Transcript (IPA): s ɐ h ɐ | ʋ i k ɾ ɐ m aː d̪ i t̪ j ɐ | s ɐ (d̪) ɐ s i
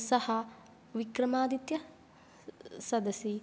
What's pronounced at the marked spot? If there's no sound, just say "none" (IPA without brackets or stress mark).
d̪